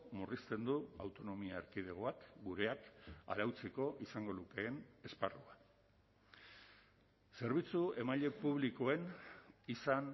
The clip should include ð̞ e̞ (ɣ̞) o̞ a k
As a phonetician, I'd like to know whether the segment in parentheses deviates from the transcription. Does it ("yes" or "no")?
no